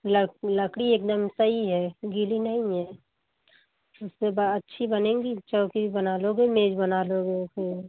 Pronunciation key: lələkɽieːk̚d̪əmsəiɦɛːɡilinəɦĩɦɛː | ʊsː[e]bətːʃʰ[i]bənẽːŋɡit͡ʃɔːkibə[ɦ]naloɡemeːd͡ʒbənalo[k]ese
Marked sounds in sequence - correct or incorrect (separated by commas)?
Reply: correct, correct, incorrect, incorrect